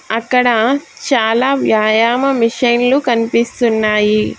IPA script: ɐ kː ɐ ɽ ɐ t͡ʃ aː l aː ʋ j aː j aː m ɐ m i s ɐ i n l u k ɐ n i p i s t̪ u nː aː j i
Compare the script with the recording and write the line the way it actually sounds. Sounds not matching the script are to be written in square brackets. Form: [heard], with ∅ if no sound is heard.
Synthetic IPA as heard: ɐ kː ɐ ɽ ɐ t͡ʃ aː l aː ʋ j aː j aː m ɐ m i [ʂ] ɐ [j] n l u k ɐ n i p i s t̪ u nː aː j i